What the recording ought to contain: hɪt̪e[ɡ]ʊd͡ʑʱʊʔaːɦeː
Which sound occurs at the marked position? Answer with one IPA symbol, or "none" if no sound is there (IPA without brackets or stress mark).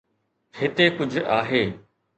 k